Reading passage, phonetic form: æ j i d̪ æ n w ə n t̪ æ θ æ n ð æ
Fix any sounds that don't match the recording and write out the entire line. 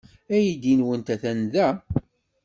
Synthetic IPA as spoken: æ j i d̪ i n w ə n t̪ æ θ æ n ð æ